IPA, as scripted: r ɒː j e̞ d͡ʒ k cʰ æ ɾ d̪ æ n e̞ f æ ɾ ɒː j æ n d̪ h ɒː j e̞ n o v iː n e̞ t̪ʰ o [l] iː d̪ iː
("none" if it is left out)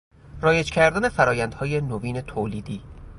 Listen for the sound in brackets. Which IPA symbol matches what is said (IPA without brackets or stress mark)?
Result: l